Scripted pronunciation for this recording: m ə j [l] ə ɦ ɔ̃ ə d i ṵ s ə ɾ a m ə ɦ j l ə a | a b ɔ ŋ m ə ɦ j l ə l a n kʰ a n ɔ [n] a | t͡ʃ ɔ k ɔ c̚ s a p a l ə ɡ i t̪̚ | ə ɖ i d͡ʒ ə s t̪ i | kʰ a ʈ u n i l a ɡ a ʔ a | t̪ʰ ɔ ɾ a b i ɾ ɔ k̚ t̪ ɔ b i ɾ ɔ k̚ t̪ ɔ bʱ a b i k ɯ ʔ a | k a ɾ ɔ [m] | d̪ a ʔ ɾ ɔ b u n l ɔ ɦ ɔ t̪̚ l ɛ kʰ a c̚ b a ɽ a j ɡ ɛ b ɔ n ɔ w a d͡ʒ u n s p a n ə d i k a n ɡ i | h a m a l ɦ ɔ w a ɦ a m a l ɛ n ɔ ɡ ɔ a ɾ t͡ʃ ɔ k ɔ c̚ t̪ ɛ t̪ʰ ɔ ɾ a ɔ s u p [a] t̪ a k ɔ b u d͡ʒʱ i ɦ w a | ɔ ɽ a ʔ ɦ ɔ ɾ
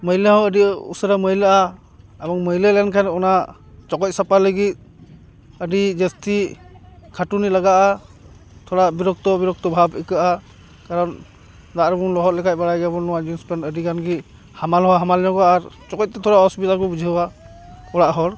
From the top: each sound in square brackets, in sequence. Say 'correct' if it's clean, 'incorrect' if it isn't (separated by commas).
correct, correct, incorrect, incorrect